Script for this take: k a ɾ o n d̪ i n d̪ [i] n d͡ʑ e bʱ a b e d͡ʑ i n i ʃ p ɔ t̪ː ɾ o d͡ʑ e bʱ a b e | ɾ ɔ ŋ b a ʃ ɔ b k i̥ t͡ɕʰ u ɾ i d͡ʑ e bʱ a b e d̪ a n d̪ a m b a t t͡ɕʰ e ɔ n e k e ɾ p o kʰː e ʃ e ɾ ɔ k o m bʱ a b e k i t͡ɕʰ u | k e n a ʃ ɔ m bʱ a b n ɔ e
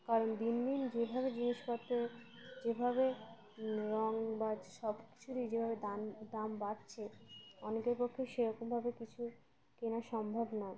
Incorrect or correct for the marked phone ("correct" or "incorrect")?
correct